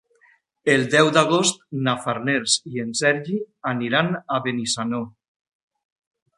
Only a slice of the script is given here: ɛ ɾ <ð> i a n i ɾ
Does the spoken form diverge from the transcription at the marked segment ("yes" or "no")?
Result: yes